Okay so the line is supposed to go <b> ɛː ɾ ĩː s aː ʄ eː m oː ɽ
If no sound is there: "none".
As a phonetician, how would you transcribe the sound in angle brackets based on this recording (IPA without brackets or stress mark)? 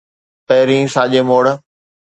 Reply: p